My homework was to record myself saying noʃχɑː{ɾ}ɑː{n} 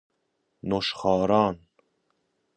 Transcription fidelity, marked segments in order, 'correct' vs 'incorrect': correct, correct

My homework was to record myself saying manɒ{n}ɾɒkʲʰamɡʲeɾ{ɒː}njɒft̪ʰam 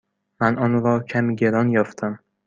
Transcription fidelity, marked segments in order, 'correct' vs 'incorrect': correct, incorrect: ɒ

